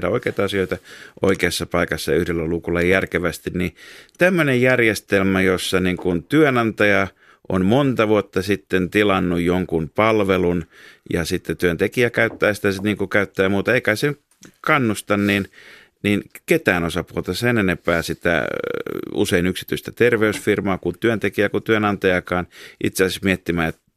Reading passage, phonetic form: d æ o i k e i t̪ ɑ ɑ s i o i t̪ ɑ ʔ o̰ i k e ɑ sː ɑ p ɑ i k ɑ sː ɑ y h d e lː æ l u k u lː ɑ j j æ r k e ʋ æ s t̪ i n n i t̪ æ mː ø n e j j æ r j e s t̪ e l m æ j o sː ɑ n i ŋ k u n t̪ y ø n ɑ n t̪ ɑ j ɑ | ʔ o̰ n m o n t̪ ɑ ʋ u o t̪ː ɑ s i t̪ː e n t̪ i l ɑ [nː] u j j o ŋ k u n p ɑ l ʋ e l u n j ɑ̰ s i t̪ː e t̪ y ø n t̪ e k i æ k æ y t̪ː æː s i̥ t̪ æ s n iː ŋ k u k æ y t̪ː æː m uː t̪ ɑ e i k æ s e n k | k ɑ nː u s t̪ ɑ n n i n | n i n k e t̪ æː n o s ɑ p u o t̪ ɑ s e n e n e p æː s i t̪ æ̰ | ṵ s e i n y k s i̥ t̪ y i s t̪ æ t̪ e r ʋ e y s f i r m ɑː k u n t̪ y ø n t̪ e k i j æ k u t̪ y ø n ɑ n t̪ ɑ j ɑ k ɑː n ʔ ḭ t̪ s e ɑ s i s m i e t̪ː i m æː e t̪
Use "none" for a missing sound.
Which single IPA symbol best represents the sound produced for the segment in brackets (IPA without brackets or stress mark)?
nː